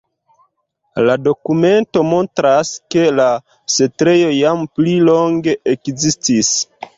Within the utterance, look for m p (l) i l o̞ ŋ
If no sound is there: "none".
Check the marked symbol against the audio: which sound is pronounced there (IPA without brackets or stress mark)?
l